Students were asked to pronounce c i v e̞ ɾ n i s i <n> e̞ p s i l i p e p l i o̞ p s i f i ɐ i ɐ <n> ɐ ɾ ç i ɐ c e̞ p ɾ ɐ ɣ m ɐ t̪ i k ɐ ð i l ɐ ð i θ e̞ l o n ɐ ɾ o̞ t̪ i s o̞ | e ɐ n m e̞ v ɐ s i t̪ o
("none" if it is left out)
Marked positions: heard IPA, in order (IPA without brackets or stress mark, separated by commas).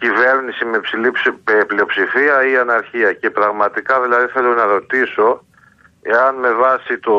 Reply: m, n